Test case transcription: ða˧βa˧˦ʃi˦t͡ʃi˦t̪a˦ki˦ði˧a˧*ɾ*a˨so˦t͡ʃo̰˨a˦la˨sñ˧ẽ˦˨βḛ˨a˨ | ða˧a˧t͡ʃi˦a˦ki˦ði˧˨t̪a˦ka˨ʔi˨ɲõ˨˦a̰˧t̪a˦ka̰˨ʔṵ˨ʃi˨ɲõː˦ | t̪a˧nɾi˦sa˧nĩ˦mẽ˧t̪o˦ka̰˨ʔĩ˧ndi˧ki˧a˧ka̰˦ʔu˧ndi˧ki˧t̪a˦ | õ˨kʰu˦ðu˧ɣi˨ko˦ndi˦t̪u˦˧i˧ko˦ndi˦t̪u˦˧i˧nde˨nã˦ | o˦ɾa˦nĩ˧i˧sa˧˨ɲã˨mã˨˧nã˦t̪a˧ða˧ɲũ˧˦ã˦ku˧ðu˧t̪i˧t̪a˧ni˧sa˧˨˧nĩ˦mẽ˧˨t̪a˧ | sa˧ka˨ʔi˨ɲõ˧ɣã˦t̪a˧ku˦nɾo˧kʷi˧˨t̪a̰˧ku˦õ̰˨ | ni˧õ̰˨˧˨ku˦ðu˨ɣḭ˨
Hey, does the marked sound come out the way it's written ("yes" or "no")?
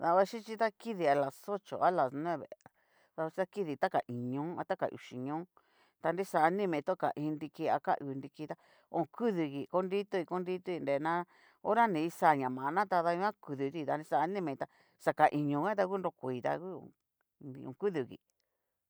no